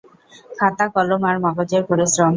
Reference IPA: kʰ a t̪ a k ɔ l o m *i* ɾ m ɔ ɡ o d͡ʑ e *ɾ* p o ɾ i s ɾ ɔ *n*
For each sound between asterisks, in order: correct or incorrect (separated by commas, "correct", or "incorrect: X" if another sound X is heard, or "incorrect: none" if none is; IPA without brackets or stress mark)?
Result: incorrect: a, correct, incorrect: m